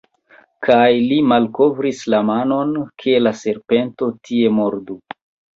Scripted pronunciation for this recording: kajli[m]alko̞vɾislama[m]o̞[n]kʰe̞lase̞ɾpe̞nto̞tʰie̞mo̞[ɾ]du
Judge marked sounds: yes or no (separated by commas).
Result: yes, no, yes, yes